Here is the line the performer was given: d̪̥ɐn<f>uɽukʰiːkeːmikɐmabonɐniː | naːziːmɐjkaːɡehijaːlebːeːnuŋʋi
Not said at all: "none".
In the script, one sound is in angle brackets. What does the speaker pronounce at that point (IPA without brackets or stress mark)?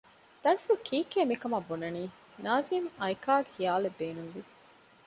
f